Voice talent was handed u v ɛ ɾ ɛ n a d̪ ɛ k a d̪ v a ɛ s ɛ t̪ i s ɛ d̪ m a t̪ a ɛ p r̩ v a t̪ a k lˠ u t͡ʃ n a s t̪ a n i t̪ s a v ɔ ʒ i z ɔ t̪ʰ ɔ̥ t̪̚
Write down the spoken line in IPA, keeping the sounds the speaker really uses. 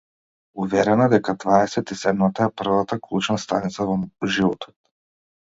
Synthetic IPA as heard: u v ɛ ɾ ɛ n a d̪ ɛ k a d̪ v a ɛ s ɛ t̪ i s ɛ d̪ m a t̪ a ɛ p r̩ v a t̪ a k lˠ u t͡ʃ n a s t̪ a n i t̪ s a v ɔ ʒ i v ɔ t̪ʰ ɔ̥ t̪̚